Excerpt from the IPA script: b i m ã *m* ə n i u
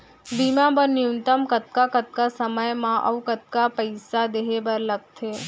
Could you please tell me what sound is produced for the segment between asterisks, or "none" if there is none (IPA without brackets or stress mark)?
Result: b